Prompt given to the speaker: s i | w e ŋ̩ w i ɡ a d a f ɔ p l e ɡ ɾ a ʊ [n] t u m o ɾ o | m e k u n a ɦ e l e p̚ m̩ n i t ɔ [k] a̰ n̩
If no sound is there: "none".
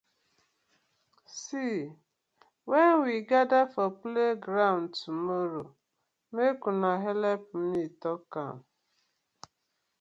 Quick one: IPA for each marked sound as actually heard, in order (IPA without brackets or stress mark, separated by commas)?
n, k